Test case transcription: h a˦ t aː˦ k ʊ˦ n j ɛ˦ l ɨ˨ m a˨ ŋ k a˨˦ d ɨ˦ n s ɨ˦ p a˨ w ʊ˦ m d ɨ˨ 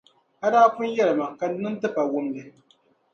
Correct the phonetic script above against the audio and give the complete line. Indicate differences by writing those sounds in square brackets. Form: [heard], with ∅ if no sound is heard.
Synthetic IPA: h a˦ [d] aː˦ k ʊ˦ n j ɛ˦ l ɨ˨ m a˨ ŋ k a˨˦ [n] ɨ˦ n [t] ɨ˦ p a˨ w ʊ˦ m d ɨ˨